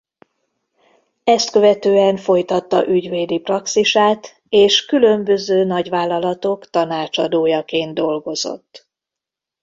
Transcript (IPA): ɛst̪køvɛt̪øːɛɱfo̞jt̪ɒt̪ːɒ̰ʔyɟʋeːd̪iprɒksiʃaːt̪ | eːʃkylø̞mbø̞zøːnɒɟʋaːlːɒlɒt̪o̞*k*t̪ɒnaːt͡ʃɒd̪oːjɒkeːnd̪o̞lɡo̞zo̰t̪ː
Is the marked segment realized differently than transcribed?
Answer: no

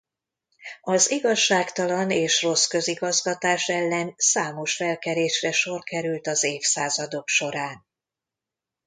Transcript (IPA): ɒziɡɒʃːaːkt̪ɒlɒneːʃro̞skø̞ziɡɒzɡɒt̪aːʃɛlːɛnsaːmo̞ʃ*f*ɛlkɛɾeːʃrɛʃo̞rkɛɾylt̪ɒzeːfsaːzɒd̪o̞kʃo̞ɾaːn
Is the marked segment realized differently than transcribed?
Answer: no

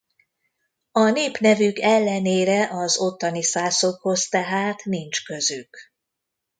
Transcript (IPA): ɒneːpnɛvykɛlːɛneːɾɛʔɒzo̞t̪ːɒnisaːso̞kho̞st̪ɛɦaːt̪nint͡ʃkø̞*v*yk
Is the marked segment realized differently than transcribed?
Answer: yes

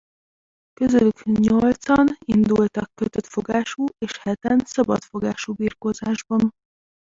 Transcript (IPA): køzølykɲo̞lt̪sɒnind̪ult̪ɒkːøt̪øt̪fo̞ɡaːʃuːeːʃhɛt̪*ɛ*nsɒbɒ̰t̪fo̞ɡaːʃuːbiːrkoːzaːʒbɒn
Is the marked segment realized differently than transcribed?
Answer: no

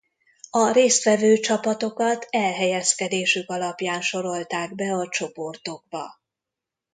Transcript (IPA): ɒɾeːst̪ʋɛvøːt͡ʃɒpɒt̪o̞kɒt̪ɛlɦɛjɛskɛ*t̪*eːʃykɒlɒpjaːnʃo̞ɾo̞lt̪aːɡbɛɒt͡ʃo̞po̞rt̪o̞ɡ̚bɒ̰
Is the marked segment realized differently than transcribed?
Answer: yes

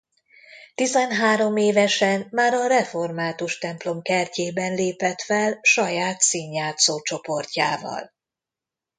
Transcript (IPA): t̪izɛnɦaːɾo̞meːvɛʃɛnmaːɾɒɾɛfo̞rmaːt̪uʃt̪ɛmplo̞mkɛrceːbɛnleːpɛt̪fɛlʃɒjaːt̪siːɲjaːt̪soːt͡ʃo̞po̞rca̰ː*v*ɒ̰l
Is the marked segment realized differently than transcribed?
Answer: no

